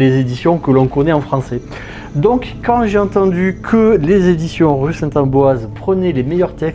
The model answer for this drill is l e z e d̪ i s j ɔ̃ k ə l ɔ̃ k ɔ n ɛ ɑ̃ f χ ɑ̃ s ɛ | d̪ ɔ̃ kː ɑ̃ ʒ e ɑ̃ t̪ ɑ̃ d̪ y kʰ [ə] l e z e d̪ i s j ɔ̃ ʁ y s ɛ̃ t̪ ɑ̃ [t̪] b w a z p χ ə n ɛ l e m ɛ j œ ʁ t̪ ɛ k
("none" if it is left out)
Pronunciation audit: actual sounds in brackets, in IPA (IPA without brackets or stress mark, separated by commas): ə, none